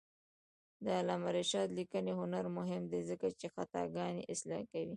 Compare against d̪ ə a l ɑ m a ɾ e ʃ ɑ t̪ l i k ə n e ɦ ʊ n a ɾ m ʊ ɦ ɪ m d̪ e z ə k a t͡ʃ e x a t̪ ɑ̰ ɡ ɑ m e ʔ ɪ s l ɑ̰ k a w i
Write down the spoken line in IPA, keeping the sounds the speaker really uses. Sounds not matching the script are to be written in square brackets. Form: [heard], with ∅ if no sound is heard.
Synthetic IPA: d̪ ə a l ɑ m a ɾ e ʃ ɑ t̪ l i k ə n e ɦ ʊ n a ɾ m ʊ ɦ ɪ m d̪ e z ə k a t͡ʃ e x a t̪ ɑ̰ ɡ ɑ [n] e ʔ ɪ s l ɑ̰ k a w i